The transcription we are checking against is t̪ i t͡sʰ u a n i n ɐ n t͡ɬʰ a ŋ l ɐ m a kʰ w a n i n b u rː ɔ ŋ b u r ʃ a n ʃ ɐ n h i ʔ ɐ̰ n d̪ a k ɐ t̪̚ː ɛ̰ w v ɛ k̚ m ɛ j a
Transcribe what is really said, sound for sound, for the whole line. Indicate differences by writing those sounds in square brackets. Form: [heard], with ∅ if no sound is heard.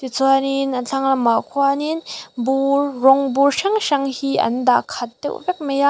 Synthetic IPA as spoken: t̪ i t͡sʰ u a n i n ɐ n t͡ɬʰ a ŋ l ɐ m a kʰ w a n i n b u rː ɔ ŋ b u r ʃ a [ŋ] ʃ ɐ [ŋ] h i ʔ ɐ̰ n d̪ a [kʰ] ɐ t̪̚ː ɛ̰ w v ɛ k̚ m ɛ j a